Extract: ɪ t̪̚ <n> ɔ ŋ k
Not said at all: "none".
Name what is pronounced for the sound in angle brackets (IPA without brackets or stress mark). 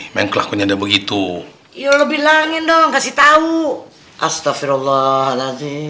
d